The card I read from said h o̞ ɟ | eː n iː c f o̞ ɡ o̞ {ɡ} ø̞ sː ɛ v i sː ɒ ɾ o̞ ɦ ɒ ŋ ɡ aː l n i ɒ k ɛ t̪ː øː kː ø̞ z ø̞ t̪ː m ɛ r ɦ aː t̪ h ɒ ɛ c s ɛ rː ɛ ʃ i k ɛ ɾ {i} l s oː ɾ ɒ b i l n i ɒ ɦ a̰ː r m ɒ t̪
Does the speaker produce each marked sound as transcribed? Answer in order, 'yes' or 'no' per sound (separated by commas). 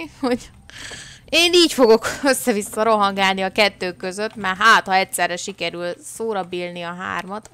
no, no